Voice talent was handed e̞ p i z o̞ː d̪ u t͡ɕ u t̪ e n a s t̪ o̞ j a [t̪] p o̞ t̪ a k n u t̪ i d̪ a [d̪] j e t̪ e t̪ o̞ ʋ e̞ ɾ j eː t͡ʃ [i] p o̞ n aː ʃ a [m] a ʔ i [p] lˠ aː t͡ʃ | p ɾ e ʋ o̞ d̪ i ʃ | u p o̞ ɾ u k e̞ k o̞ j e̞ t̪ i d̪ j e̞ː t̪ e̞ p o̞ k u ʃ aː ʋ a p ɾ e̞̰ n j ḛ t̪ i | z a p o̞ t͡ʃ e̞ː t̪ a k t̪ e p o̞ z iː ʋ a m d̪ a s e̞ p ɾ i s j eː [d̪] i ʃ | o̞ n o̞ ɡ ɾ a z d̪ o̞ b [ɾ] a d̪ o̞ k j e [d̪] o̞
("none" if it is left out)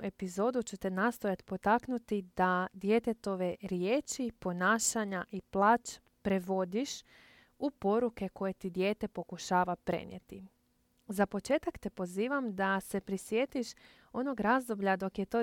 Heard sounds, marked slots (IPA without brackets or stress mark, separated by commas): t̪, d̪, i, ɲ, p, t̪, ʎ, t̪